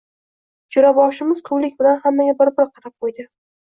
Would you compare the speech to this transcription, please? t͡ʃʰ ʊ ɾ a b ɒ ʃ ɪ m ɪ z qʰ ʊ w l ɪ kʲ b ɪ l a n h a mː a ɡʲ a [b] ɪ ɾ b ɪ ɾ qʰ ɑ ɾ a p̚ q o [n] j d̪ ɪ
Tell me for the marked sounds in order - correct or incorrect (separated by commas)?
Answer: correct, incorrect